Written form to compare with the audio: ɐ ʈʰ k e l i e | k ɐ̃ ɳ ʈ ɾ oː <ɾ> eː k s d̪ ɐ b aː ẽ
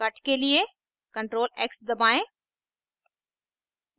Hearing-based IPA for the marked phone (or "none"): l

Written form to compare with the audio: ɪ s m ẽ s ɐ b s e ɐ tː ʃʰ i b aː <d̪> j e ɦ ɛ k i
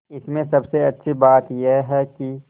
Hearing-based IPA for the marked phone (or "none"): t̪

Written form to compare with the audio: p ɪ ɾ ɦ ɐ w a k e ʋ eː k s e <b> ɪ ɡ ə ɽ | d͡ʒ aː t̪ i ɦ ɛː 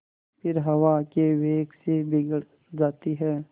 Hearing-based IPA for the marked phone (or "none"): b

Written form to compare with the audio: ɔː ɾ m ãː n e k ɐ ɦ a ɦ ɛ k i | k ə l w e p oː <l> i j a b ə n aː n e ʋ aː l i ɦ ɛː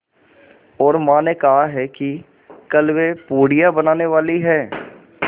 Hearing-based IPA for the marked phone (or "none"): ɽ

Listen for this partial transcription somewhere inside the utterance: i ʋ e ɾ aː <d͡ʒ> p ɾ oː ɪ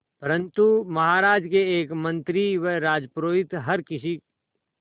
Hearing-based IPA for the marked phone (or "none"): d͡ʒ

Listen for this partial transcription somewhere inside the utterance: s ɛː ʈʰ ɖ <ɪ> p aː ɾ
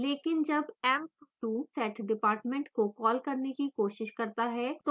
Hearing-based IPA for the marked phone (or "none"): ɪ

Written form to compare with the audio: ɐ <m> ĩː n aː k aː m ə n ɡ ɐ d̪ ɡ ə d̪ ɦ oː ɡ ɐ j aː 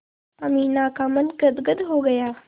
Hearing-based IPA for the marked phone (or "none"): m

